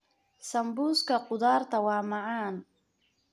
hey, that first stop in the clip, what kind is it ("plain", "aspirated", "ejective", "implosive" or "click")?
plain